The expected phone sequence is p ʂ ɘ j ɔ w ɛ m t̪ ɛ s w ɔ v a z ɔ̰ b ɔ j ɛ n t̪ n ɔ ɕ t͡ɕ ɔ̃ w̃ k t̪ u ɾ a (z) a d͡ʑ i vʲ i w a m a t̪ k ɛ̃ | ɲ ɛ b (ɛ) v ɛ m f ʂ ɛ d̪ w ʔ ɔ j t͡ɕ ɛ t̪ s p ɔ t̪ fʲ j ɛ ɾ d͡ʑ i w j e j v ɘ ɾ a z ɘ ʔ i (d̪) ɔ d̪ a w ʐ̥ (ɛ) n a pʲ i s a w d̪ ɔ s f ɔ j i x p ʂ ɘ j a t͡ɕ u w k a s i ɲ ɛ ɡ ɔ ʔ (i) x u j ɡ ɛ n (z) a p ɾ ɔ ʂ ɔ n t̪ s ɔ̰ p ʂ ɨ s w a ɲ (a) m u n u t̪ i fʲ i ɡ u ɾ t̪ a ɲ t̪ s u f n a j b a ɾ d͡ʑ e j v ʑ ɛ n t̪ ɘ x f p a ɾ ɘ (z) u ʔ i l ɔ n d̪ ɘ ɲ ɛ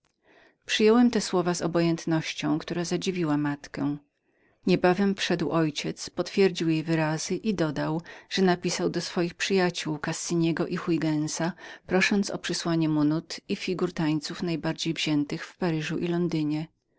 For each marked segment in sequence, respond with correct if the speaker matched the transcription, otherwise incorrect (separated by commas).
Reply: correct, incorrect, correct, correct, correct, incorrect, incorrect, incorrect